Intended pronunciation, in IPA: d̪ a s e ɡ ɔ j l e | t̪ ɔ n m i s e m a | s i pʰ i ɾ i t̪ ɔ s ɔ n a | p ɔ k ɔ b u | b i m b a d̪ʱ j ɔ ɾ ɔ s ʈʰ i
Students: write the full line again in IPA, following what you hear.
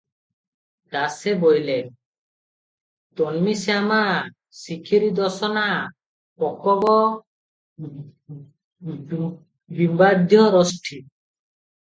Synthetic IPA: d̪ a s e b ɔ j l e | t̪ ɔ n m i s a m a | s i kʰ i ɾ i d̪ ɔ s ɔ n a | p ɔ k ɔ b ɔ | b i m b a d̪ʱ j ɔ ɾ ɔ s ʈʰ i